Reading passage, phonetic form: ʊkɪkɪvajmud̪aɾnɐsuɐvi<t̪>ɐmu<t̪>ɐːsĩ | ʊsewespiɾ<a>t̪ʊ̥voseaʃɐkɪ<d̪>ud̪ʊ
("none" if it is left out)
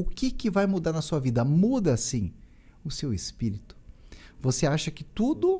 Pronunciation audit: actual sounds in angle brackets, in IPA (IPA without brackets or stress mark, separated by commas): d̪, d̪, i, t̪